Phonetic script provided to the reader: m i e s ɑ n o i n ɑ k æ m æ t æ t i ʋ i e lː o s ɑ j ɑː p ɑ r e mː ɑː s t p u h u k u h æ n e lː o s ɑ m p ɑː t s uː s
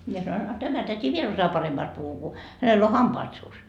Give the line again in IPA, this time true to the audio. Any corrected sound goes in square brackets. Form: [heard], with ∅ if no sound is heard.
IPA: m i e s ɑ n o i n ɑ [t] æ m æ t æ t i ʋ i e [l] o s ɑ j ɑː p ɑ r e mː ɑː s t p u h u k u h æ n e lː o [h] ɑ m p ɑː t s uː s